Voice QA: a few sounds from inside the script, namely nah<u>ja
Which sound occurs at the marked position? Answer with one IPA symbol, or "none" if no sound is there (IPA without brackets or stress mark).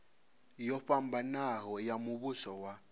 ɔ